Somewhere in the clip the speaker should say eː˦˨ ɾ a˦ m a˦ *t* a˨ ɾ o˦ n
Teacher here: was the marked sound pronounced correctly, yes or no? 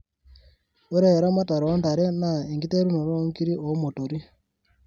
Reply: yes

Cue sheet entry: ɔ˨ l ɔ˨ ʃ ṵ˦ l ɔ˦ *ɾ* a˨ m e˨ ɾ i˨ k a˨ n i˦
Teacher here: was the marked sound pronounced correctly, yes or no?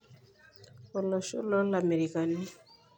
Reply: no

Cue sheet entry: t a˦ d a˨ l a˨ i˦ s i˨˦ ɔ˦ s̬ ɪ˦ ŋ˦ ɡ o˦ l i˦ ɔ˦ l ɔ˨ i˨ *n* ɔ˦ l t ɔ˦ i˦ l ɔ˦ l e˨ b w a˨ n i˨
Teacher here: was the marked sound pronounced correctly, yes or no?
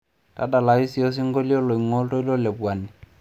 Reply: no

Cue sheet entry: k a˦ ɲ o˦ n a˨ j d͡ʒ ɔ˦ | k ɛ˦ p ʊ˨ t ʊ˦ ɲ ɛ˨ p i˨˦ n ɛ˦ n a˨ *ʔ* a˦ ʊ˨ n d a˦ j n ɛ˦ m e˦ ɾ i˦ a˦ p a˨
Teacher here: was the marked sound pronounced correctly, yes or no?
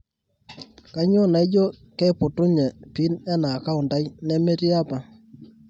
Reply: no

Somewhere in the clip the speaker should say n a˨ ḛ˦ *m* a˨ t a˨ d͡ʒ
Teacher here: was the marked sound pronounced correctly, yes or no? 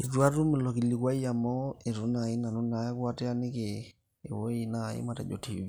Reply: yes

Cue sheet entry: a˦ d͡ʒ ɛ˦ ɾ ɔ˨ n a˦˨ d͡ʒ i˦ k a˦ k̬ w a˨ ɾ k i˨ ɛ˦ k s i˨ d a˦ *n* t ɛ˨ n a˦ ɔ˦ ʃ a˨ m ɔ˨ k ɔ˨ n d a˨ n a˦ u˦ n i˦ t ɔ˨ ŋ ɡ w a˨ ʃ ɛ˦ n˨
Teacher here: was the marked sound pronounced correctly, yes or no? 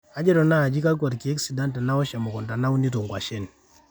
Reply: yes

